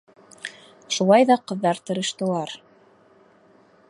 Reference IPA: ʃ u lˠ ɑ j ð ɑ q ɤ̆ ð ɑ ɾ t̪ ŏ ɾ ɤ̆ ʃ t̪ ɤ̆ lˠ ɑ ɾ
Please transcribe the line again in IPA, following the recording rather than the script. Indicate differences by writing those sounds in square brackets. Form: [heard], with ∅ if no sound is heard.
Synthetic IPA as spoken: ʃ u lˠ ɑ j ð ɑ q ɤ̆ [ðː] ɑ ɾ t̪ [ɤ̆] ɾ ɤ̆ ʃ t̪ ɤ̆ lˠ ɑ ɾ